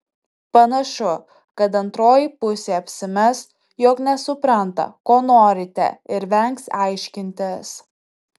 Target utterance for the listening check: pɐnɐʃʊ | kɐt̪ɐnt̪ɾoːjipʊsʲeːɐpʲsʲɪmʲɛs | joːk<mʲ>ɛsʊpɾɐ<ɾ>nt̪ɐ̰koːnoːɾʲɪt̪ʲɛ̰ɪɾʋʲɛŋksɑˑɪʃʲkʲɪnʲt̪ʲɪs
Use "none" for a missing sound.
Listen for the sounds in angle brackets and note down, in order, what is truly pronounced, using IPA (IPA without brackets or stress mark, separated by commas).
nʲ, none